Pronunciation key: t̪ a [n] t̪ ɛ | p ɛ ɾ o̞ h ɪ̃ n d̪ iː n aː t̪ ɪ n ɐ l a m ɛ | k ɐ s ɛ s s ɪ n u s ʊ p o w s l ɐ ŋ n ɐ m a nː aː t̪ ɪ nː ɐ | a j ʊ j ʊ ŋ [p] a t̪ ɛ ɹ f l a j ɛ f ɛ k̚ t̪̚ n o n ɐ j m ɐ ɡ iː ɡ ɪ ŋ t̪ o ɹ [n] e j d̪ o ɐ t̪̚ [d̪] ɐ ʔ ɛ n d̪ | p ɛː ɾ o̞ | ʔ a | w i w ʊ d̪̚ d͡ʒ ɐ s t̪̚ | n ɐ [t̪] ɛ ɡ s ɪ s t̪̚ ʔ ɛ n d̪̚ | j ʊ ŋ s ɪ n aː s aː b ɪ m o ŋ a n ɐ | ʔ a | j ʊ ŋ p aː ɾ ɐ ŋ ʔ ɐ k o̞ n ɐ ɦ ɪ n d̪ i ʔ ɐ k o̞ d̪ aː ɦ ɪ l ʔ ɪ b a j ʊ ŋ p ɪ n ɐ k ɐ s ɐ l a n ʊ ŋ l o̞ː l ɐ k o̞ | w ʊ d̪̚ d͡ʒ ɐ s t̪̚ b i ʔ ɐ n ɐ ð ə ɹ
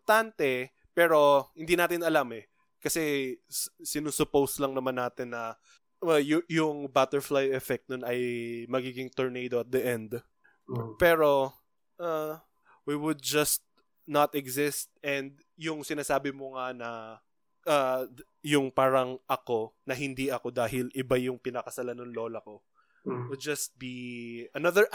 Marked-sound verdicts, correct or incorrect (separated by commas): correct, incorrect, correct, correct, correct